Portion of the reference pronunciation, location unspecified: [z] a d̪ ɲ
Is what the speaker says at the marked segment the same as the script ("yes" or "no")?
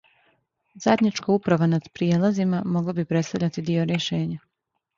yes